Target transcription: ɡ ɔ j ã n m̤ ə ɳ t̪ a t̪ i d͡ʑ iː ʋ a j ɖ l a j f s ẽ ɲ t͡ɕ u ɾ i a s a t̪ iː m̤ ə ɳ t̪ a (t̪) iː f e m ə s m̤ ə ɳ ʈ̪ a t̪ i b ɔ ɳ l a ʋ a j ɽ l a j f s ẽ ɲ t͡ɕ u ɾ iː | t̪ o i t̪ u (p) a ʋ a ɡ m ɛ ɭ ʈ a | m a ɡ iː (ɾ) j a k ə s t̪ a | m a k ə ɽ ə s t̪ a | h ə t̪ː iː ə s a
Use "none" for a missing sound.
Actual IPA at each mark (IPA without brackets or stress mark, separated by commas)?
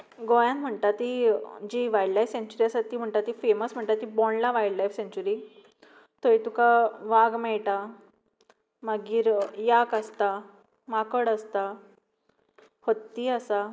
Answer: t̪, k, ɾ